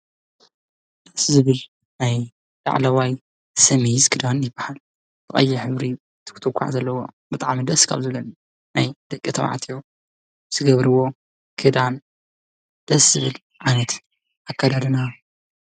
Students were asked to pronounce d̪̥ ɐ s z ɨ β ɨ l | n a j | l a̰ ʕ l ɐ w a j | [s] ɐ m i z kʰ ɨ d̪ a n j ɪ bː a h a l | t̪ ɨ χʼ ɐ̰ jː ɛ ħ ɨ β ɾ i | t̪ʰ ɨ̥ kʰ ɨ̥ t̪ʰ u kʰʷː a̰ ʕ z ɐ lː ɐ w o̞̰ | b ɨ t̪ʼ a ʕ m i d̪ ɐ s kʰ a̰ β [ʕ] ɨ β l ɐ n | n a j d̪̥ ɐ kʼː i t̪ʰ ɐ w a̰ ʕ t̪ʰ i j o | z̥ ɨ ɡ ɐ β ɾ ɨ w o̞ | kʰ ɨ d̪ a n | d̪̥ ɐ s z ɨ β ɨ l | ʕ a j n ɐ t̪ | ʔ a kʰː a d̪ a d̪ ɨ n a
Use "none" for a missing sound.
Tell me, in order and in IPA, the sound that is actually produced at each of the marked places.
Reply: s, z

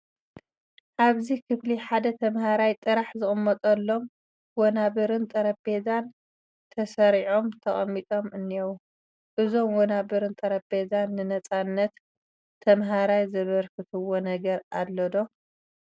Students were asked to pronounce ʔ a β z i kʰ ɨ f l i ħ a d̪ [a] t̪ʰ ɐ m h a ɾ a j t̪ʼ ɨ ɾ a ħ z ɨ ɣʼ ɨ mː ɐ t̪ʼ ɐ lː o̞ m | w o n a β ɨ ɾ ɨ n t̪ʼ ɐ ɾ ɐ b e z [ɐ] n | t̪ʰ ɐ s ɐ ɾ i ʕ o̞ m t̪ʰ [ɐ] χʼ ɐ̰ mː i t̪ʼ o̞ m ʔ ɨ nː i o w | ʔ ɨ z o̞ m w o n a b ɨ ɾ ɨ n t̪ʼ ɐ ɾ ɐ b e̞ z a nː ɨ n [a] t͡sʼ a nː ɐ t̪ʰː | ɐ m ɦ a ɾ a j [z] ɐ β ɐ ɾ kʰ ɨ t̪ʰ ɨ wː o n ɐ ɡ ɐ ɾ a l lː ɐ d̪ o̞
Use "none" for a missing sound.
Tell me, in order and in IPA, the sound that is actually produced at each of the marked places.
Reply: ɐ, a, ɐ, ɐ, z

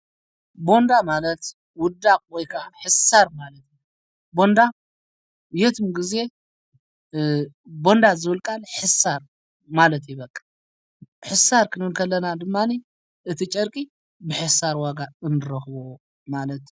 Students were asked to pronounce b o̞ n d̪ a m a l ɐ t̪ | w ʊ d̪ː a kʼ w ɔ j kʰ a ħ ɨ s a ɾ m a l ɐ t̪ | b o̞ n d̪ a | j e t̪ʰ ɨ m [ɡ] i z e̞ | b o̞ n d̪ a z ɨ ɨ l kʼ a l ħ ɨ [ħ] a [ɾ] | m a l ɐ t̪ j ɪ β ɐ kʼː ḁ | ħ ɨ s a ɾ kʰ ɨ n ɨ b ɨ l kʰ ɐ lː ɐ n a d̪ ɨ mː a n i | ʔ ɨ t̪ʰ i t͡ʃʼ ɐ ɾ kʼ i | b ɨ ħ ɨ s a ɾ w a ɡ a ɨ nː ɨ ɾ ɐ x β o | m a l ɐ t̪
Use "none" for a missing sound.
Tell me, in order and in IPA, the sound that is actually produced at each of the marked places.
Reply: ɡ, s, ɾ

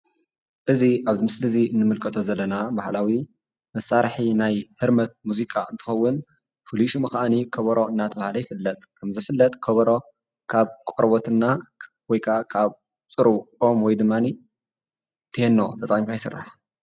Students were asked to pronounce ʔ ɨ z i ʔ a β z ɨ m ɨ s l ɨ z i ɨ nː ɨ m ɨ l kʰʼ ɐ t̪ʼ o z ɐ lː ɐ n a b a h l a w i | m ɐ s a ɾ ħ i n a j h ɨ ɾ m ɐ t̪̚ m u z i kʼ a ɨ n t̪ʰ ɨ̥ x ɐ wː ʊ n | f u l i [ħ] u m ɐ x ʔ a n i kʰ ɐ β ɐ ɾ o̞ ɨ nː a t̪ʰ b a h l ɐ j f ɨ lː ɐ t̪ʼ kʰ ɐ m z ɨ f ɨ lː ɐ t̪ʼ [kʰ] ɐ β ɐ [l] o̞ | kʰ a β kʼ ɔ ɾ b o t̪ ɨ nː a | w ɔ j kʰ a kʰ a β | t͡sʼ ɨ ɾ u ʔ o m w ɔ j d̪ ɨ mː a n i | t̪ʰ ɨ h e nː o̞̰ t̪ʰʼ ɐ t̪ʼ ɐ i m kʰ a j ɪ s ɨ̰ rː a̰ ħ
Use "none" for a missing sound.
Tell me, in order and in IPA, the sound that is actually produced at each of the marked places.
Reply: ʃ, kʰ, ɾ

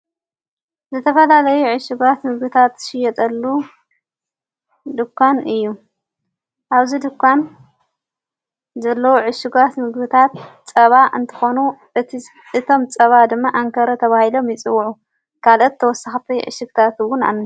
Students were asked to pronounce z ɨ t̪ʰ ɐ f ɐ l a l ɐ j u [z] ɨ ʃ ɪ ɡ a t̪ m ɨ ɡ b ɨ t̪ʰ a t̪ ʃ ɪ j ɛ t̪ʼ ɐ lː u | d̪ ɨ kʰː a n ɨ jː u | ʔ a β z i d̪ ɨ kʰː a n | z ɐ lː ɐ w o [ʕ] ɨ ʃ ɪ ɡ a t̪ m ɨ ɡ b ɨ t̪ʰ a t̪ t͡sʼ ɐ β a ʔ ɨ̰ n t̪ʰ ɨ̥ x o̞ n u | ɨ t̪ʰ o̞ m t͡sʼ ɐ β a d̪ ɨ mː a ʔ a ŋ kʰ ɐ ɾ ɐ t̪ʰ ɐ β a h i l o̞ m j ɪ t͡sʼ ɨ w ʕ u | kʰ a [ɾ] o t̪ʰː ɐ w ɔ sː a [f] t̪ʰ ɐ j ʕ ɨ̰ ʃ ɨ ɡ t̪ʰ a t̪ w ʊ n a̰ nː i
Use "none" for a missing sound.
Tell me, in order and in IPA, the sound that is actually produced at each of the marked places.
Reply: ʕ, ʕ, l, x

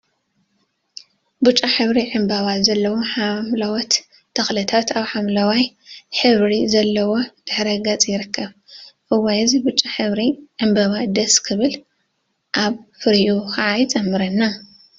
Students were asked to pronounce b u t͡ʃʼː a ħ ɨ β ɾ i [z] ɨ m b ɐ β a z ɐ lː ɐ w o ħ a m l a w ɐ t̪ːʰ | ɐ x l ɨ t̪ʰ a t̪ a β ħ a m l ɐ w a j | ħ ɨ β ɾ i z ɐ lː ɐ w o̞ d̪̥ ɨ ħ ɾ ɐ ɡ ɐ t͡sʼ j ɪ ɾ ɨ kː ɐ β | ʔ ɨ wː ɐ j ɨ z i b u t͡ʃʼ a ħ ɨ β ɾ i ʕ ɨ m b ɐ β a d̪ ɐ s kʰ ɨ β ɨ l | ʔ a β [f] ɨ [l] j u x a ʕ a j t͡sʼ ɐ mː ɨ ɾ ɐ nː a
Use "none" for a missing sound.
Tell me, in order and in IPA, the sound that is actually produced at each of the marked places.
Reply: ʕ, f, ɾ

